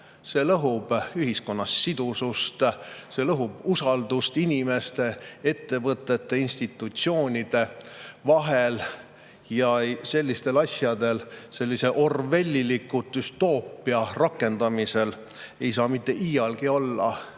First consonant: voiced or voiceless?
voiceless